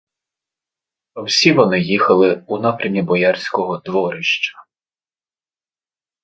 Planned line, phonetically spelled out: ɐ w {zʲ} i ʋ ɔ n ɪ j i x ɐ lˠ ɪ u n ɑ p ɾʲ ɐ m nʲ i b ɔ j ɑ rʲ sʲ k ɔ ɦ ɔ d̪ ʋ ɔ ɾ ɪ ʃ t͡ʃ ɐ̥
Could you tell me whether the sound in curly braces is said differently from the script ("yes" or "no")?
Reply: yes